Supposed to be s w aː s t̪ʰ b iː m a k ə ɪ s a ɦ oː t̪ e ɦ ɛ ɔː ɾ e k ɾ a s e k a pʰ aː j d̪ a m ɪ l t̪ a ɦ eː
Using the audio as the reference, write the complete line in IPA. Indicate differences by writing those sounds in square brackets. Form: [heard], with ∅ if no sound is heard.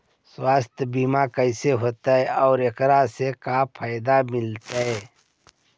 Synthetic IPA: s w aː s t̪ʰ b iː m a k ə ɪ s [e] ɦ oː t̪ [a] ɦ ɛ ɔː ɾ e k ɾ a s e k a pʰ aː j d̪ a m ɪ l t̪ a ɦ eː